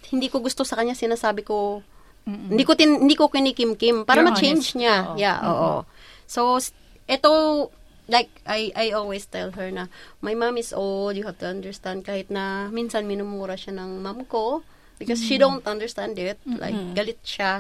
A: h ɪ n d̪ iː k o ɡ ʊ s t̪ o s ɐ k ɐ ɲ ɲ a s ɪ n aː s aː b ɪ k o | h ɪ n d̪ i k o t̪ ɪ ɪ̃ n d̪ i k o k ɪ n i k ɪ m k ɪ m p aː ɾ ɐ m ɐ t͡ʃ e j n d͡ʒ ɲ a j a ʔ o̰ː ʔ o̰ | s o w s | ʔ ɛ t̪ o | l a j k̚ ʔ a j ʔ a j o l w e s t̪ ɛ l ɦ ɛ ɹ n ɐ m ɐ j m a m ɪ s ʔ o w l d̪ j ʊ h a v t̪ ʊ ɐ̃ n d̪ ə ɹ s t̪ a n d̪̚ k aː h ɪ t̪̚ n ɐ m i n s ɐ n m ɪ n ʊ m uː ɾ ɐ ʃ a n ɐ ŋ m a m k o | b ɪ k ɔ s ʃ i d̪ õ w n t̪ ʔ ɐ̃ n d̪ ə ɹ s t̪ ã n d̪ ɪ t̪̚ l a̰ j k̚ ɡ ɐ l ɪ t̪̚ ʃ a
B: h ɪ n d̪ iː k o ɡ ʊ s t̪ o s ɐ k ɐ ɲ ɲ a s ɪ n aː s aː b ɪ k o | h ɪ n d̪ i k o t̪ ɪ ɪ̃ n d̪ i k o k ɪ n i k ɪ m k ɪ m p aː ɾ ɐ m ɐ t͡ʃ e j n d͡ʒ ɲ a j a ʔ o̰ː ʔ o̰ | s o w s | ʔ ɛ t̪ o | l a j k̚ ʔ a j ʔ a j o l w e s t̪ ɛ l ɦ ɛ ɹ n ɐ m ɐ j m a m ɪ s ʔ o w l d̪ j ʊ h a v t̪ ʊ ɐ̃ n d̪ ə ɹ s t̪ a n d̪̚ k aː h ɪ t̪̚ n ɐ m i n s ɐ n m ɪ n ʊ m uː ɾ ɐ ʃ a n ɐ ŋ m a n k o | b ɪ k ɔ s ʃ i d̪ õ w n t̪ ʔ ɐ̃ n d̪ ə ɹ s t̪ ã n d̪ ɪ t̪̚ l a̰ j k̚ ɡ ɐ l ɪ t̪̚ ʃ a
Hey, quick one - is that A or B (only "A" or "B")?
A